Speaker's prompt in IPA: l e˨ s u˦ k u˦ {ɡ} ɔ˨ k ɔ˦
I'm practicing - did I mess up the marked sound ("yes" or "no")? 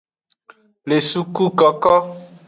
yes